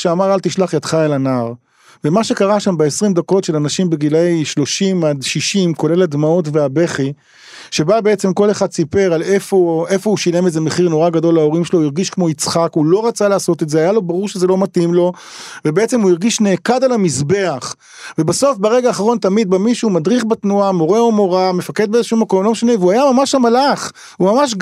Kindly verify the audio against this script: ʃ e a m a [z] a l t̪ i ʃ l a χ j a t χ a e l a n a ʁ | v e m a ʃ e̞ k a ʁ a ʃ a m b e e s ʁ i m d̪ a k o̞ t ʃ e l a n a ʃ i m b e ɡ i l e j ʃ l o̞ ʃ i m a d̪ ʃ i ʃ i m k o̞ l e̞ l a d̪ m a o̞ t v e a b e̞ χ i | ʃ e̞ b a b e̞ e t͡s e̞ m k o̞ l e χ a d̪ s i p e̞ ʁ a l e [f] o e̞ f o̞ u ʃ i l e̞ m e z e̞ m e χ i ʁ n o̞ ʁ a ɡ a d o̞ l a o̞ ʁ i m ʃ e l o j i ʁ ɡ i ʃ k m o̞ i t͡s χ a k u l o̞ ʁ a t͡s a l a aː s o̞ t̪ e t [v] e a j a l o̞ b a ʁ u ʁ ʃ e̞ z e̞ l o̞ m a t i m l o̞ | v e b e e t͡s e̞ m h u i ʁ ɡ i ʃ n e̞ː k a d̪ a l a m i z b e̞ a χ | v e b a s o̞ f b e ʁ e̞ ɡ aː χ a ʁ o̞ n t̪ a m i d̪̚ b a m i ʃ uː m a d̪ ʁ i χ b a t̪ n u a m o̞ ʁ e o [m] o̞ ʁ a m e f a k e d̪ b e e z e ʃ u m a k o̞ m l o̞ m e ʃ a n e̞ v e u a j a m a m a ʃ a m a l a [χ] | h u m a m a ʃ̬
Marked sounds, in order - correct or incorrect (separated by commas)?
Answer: incorrect, correct, incorrect, correct, correct